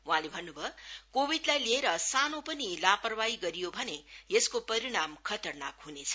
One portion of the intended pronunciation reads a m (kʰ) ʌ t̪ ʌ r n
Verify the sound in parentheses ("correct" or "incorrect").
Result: correct